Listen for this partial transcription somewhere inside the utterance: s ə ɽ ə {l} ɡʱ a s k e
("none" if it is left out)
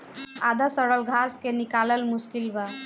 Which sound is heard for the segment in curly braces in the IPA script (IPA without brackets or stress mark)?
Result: l